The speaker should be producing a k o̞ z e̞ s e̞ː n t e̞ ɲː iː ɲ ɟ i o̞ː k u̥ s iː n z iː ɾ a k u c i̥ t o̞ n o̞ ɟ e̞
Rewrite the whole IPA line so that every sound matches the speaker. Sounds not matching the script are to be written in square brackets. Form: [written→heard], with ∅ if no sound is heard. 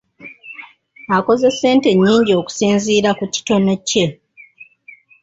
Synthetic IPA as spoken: a k o̞ z e̞ s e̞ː n t e̞ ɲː iː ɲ ɟ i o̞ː k u̥ s iː n z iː ɾ a k u c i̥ t o̞ n o̞ [ɟ→c] e̞